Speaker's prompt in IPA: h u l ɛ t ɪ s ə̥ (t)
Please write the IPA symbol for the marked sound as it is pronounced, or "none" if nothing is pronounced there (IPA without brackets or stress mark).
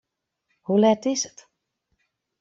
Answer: t